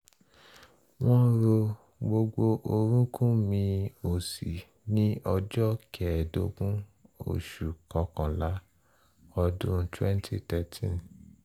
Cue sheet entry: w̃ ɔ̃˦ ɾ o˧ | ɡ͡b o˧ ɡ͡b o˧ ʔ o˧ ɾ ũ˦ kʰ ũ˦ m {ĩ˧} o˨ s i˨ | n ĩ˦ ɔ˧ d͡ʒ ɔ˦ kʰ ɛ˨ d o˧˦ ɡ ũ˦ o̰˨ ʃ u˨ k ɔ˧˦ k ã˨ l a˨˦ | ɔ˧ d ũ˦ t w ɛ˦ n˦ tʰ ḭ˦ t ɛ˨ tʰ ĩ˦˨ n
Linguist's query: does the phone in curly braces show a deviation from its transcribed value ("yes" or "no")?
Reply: no